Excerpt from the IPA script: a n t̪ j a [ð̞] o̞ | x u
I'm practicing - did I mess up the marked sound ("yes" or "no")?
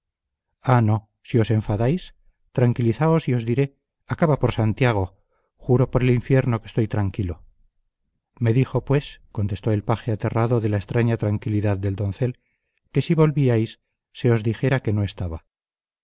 yes